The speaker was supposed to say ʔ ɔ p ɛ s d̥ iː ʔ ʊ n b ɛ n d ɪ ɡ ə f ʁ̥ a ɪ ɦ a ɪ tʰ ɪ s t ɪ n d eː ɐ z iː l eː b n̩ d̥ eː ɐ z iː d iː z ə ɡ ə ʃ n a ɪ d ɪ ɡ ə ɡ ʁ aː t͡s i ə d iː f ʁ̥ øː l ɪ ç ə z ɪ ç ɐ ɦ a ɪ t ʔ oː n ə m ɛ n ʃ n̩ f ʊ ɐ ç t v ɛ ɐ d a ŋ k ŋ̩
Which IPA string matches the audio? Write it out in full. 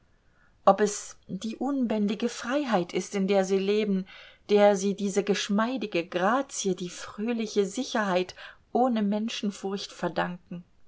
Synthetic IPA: ʔ ɔ p ɛ s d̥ iː ʔ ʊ n b ɛ n d ɪ ɡ ə f ʁ̥ a ɪ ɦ a ɪ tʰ ɪ s t ɪ n d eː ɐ z iː l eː b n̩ d̥ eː ɐ z iː d iː z ə ɡ ə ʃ m a ɪ d ɪ ɡ ə ɡ ʁ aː t͡s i ə d iː f ʁ̥ øː l ɪ ç ə z ɪ ç ɐ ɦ a ɪ t ʔ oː n ə m ɛ n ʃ n̩ f ʊ ɐ ç t f ɛ ɐ d a ŋ k ŋ̩